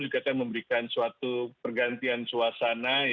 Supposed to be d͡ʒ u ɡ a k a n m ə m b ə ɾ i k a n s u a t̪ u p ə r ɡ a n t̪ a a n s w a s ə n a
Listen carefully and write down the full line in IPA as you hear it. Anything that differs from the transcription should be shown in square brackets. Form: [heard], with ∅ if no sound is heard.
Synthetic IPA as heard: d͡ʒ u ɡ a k a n m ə m b ə ɾ i k a n s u a t̪ u p ə r ɡ a n t̪ [i] a n s [u] a s [a] n a